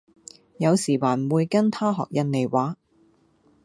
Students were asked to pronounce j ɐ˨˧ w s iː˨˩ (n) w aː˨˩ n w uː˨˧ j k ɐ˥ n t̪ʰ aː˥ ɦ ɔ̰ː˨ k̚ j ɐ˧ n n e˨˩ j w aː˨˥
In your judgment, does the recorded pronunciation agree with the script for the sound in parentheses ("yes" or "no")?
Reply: no